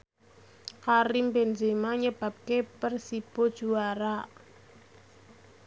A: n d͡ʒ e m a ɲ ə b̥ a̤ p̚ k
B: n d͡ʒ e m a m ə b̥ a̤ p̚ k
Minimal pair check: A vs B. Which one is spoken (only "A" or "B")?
A